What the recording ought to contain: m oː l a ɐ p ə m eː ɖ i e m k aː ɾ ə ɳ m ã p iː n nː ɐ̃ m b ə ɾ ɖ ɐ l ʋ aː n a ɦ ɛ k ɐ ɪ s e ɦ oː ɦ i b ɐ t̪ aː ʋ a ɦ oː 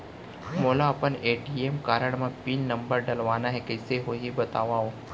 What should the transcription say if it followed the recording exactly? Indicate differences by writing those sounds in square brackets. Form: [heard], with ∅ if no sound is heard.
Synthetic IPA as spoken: m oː l a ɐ p ə [n] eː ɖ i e m k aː ɾ ə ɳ m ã p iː n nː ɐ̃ m b ə ɾ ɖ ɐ l ʋ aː n a ɦ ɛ k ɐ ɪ s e ɦ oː ɦ i b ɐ t̪ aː ʋ a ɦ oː